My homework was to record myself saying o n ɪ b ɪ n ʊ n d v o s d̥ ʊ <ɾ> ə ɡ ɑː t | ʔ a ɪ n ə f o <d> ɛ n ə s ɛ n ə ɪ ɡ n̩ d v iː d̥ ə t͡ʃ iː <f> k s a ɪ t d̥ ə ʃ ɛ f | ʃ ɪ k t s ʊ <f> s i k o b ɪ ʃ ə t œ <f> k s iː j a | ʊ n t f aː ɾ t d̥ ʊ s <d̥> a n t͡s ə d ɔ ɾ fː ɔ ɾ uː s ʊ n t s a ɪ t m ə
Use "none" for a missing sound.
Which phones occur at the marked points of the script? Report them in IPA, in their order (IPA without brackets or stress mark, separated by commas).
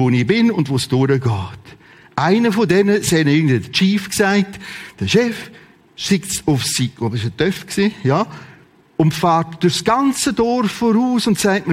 ɾ, d, f, f, f, ɡ̥